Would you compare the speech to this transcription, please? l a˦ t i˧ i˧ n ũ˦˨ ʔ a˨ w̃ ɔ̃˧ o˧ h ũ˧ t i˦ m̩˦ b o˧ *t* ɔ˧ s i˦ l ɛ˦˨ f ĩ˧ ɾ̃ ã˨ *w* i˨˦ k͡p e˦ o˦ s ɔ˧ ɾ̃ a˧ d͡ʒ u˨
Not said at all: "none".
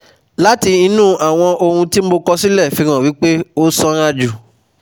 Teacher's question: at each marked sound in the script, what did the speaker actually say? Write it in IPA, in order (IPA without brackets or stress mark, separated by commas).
k, w